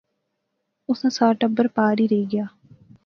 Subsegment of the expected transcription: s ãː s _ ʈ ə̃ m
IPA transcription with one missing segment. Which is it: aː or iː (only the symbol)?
aː